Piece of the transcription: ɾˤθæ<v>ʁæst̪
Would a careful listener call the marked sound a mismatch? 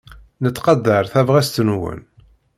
no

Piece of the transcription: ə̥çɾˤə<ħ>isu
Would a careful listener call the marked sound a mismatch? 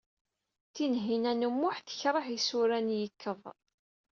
no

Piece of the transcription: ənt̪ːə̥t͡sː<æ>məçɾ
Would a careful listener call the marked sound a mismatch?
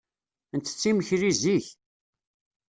yes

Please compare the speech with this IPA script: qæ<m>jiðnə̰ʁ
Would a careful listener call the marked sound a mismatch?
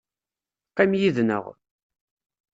no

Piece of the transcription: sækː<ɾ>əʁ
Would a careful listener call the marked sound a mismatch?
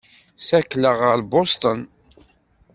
yes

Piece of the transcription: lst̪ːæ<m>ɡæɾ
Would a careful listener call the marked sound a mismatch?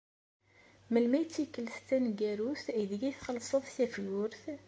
yes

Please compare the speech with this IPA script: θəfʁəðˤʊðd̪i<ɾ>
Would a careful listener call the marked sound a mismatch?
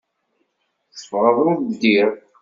no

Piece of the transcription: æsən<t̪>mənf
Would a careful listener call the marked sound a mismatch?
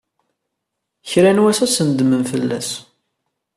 yes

